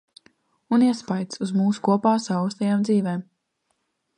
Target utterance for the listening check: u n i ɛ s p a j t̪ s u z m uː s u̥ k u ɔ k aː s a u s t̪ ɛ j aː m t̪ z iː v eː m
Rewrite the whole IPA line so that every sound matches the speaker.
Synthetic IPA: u n i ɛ s p a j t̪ s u z m uː s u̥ k u ɔ p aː s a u s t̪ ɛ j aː m d̪ z iː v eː m